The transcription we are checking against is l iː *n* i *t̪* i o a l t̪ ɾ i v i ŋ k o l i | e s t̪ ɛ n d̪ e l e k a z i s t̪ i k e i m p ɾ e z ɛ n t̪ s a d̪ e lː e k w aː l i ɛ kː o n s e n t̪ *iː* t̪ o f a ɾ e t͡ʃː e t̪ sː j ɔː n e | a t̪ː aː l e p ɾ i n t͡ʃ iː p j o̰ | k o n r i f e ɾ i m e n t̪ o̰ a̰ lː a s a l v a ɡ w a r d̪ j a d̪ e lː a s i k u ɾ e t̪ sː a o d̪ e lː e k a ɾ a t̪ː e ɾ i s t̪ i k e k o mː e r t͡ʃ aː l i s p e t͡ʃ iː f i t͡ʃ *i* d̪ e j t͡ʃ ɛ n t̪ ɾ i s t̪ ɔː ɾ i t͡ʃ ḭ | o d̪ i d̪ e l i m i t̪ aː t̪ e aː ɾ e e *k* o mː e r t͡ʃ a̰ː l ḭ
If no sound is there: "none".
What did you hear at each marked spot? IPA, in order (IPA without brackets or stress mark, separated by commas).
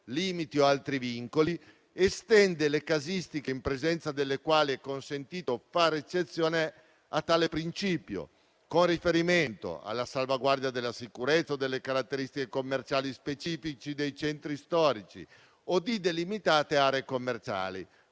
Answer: m, t̪, iː, i, k